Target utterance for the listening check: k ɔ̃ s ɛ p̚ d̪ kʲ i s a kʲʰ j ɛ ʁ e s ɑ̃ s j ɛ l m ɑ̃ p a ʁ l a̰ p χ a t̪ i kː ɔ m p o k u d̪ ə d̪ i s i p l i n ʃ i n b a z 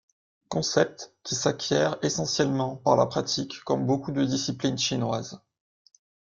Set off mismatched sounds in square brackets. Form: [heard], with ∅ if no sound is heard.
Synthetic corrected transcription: k ɔ̃ s ɛ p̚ [t̪] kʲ i s a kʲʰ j ɛ ʁ e s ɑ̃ s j ɛ l m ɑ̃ p a ʁ l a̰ p χ a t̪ i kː ɔ m [b] o k u d̪ ə d̪ i s i p l i n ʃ i n [w] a z